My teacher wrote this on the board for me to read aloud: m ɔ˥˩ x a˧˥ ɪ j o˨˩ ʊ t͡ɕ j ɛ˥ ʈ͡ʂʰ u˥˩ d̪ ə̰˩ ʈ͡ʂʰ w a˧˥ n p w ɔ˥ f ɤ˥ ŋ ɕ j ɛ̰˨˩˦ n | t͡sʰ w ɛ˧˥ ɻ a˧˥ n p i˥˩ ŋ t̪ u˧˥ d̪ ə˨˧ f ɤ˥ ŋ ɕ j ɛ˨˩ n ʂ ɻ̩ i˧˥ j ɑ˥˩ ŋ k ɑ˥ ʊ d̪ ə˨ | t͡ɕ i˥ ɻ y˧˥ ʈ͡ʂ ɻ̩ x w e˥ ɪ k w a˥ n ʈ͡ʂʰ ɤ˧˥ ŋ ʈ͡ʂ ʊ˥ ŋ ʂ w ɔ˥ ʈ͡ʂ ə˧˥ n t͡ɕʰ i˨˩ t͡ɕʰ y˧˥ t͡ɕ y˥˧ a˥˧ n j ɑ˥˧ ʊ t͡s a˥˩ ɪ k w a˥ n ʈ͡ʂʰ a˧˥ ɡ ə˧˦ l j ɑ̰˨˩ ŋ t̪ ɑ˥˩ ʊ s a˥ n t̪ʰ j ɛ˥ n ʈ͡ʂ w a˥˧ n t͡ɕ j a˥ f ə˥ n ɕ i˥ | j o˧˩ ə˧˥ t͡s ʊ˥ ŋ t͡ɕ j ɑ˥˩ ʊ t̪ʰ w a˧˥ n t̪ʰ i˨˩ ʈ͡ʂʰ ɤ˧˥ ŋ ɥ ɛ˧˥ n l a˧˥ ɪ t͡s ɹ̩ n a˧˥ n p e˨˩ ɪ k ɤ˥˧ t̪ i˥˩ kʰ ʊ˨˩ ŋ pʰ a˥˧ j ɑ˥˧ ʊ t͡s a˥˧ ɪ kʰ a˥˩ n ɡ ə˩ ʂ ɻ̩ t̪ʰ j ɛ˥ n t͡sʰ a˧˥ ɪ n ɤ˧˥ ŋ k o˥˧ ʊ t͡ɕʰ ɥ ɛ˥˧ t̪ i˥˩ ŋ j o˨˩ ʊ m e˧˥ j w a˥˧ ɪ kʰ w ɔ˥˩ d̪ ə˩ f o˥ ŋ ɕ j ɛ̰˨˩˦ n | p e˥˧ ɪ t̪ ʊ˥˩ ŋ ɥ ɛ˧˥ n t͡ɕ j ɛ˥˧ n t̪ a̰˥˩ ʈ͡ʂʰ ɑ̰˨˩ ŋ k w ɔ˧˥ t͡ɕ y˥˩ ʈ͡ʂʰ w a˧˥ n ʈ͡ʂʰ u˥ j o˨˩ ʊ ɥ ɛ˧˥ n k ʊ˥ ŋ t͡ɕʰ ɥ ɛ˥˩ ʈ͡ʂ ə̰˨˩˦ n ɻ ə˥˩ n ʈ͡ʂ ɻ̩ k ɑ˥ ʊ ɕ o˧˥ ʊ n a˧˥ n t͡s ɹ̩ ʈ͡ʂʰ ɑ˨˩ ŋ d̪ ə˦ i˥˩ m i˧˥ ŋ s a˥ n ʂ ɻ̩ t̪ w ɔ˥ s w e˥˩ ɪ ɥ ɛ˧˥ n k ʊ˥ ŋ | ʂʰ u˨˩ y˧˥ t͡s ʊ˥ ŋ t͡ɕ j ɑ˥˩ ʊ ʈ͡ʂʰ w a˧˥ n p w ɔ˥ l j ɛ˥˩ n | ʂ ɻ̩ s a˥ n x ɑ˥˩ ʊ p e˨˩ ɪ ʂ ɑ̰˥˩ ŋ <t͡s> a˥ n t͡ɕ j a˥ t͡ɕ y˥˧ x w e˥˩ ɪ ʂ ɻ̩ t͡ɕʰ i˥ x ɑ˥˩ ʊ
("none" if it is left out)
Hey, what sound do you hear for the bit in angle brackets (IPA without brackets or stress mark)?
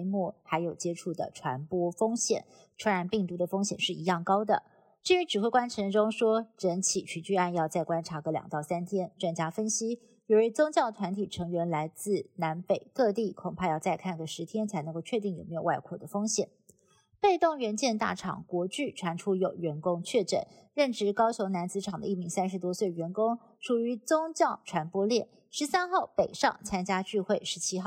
t͡sʰ